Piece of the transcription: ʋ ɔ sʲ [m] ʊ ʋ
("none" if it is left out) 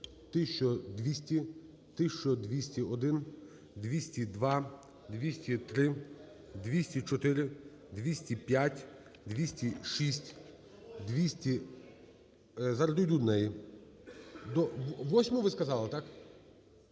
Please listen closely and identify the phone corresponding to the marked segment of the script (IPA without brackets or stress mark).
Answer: m